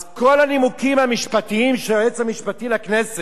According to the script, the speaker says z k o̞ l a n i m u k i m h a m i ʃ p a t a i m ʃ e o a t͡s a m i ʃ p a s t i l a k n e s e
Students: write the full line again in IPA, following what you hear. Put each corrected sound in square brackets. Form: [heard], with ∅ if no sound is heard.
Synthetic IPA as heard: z k o̞ l a n i m u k i m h a m i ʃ p a t [i] i m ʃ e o [e] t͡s a m i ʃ p a [∅] t i l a k n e s e